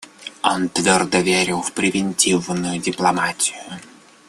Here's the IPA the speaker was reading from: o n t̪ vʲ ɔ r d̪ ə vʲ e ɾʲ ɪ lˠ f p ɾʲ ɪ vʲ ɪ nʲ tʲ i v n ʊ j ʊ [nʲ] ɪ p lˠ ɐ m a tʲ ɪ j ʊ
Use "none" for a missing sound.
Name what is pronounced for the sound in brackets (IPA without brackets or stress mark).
dʲ